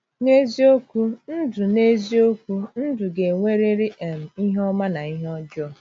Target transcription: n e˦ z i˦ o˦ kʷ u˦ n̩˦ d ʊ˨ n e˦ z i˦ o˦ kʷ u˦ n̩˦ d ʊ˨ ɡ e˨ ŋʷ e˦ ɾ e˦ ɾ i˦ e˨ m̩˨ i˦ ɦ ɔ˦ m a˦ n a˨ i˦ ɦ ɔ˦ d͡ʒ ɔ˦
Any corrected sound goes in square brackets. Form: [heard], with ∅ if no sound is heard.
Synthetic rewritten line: n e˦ z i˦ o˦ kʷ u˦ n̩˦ d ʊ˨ n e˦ z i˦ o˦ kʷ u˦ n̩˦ d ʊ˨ ɡ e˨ ŋʷ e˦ ɾ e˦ ɾ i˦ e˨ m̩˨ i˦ ɦ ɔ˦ m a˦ n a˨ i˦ ɦ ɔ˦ d͡ʒ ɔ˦